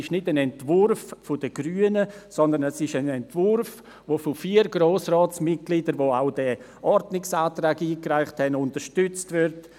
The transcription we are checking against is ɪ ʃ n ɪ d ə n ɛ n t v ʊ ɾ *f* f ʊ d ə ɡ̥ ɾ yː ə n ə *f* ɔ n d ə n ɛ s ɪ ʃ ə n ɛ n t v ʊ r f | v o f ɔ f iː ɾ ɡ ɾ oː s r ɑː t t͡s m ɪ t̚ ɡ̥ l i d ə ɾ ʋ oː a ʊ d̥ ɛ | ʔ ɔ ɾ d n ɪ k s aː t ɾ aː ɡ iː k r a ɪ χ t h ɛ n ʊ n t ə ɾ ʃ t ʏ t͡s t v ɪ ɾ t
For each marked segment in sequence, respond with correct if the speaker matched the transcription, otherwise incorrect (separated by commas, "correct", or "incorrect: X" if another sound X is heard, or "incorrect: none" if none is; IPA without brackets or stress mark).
correct, incorrect: s